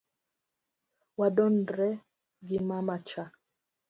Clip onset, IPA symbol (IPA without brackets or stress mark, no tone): w